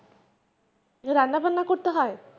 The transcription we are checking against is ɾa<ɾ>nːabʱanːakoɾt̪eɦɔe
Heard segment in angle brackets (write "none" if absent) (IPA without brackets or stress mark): none